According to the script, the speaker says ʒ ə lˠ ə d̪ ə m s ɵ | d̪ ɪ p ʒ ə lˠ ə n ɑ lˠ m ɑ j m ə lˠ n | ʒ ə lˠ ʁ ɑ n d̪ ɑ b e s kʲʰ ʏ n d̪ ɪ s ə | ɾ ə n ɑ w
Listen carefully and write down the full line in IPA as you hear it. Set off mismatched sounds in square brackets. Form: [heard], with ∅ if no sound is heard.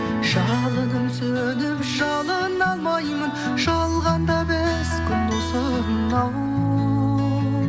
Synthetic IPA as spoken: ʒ [ɑ] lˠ ə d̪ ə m s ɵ | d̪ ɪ p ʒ [ɑ] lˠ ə n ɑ lˠ m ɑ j m ə [∅] n | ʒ [ɑ] lˠ ʁ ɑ n d̪ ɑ b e s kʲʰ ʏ n d̪ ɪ s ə | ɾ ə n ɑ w